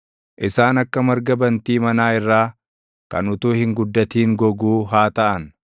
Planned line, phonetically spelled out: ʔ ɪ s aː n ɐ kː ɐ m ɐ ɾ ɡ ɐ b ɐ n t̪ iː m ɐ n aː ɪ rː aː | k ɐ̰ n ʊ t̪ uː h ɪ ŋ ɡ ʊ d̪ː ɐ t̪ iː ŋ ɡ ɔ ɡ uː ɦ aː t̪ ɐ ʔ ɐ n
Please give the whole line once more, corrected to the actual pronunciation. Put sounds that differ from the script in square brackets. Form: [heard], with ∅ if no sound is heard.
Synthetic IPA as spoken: ʔ ɪ s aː n ɐ kː ɐ m ɐ ɾ ɡ ɐ b ɐ n t̪ iː m ɐ n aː ɪ rː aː | k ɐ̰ n ʊ t̪ uː h ɪ ŋ ɡ ʊ d̪ː ɐ t̪ iː ŋ ɡ ɔ ɡ uː ɦ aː t̪ ɐ ʔ ɐ n